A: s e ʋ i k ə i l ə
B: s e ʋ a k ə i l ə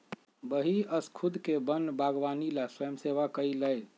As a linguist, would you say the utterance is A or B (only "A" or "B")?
B